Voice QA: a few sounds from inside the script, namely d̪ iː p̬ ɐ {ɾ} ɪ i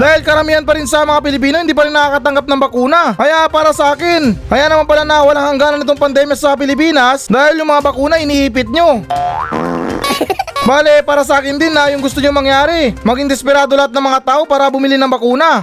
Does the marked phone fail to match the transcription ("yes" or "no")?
no